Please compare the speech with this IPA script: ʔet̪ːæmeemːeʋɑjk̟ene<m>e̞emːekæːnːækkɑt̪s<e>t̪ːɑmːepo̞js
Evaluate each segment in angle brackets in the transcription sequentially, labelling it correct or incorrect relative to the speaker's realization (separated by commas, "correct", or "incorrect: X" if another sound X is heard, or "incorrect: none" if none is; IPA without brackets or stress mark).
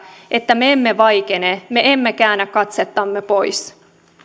correct, correct